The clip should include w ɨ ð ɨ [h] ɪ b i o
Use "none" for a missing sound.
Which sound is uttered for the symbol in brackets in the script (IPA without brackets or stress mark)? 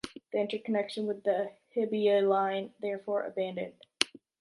h